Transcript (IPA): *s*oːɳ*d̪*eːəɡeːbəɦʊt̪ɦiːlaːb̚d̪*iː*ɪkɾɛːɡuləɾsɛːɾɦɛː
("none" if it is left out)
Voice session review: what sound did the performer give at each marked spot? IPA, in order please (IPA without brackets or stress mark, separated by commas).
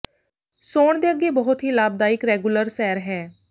s, d̪, aː